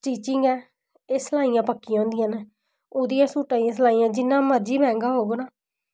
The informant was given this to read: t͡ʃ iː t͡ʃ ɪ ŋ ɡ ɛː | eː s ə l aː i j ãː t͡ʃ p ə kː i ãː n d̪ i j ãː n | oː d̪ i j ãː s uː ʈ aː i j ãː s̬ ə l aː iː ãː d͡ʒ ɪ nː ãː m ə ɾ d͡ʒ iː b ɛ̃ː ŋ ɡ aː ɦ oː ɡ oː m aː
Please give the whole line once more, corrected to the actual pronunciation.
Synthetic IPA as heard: t͡ʃ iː t͡ʃ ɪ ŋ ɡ ɛː | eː s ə l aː i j ãː p ə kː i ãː n d̪ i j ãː n | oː d̪ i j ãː s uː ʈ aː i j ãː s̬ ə l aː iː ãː d͡ʒ ɪ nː ãː m ə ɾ d͡ʒ iː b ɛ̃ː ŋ ɡ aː ɦ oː ɡ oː n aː